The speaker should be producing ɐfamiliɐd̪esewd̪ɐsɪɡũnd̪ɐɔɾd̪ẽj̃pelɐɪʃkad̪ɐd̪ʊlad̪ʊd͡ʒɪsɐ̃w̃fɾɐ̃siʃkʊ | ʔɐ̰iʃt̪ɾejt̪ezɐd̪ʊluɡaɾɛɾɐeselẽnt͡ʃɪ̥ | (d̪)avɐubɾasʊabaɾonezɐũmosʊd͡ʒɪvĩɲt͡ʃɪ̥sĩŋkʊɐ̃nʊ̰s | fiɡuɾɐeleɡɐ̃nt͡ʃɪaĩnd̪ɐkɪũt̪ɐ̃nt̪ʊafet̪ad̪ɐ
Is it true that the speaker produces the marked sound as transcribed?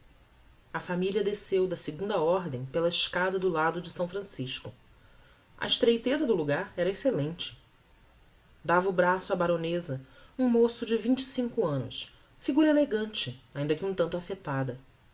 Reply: yes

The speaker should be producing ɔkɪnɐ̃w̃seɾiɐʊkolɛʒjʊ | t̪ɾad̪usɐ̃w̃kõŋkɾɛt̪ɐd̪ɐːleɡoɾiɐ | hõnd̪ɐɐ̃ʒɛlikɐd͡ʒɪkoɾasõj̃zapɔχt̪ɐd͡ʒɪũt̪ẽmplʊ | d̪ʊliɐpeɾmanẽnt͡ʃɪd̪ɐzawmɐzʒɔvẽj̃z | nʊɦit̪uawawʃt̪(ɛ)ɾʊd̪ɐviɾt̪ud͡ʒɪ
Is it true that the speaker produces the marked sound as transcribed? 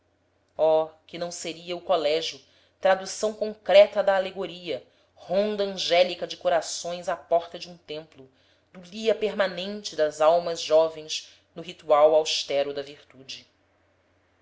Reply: yes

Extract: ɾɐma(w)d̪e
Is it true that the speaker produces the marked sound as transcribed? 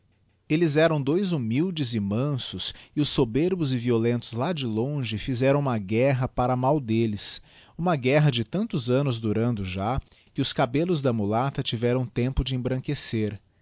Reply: yes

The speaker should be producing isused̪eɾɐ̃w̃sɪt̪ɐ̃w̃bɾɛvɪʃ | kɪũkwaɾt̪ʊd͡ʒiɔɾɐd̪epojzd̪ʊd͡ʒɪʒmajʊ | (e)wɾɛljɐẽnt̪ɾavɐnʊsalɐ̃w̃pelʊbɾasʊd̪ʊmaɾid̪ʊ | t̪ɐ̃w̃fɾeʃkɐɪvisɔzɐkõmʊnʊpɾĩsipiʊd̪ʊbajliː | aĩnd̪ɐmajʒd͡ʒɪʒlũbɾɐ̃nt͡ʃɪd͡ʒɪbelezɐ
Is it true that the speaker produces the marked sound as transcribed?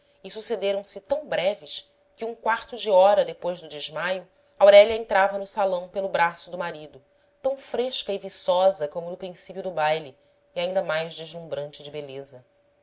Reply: no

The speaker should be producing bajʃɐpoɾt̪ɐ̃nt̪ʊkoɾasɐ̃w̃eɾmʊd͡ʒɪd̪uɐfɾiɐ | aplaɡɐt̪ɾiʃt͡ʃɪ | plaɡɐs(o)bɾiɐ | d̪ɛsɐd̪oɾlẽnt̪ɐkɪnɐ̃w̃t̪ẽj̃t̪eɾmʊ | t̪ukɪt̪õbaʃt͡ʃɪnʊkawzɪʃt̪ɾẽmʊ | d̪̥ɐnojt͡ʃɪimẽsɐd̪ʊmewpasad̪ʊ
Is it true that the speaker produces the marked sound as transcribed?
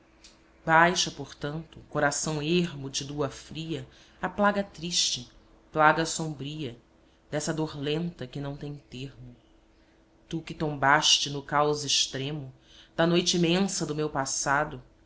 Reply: no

